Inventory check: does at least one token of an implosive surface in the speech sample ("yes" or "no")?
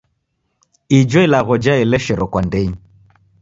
no